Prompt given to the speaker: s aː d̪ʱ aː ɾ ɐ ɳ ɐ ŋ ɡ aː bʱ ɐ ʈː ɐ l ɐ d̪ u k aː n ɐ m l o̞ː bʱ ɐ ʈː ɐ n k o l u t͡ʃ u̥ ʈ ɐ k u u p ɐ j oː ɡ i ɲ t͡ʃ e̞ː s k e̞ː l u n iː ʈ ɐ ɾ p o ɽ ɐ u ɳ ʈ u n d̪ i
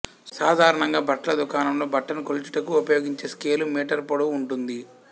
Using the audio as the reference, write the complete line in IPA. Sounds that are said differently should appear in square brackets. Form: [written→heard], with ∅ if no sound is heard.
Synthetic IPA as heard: s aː d̪ʱ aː ɾ ɐ ɳ ɐ ŋ ɡ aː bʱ ɐ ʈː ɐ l ɐ d̪ u k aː n ɐ m l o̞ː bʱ ɐ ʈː ɐ n k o l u t͡ʃ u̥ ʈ ɐ k u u p ɐ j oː ɡ i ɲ t͡ʃ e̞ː s k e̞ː l u [n→m] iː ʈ ɐ ɾ p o ɽ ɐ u ɳ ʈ u n d̪ i